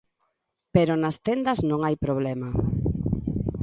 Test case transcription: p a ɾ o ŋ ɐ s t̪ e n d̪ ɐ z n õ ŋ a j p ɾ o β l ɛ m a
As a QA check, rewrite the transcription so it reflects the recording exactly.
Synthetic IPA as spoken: p e ɾ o n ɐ s t̪ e n d̪ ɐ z n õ ŋ a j p ɾ o β l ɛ m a